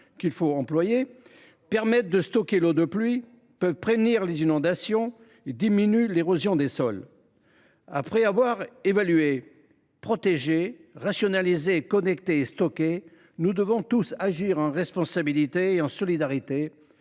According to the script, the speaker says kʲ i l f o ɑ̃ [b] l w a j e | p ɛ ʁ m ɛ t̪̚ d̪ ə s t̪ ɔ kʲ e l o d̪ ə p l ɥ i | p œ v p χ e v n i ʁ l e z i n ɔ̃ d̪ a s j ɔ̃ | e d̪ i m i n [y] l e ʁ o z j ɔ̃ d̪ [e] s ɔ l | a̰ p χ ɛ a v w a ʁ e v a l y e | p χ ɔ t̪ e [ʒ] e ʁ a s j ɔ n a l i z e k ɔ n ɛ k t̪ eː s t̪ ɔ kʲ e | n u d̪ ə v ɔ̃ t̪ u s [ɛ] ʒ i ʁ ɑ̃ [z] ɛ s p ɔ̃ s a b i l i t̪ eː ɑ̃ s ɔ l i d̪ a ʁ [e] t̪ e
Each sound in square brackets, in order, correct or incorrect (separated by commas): incorrect, correct, correct, correct, incorrect, incorrect, incorrect